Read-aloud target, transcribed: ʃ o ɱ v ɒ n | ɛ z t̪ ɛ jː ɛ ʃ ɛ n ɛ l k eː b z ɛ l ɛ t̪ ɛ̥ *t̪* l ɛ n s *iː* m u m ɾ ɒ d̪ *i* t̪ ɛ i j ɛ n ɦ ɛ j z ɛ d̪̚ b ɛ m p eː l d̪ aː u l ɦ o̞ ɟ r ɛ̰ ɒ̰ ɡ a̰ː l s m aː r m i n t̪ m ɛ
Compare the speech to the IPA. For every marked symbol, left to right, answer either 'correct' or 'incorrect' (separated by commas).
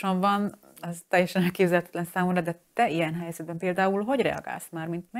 correct, incorrect, incorrect